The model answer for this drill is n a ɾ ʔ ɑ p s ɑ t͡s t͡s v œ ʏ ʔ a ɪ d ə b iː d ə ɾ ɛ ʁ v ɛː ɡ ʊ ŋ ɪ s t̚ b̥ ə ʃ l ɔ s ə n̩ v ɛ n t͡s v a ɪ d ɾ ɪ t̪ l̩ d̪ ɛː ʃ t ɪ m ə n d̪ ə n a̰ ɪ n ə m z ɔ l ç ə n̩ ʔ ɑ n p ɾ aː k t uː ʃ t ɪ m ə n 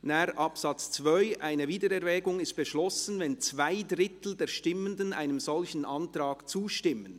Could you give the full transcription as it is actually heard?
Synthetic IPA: n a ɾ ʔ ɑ p s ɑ t͡s t͡s v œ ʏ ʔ a ɪ n ə v iː d ə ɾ ɛ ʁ v ɛː ɡ ʊ ŋ ɪ s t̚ b̥ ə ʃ l ɔ s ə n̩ v ɛ n t͡s v a ɪ d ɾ ɪ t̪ l̩ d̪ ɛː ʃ t ɪ m ə n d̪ ə n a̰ ɪ n ə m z ɔ l ç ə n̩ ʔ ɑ n t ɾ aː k t͡s uː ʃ t ɪ m ə n